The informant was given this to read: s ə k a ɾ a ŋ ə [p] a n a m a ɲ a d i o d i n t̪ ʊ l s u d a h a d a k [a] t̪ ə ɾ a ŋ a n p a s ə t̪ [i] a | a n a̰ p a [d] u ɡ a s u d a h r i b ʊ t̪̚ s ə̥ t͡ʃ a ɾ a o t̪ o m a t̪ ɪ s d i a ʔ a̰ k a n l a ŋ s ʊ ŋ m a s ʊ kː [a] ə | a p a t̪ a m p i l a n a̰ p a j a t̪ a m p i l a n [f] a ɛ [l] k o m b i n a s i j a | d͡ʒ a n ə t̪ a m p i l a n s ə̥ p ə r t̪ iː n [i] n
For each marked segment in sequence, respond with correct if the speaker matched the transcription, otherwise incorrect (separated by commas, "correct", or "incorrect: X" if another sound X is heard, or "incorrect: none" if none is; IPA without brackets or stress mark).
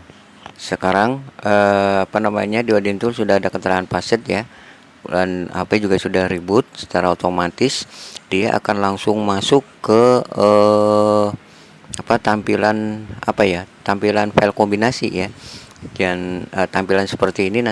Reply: correct, incorrect: ə, incorrect: j, incorrect: d͡ʒ, incorrect: ə, correct, correct, correct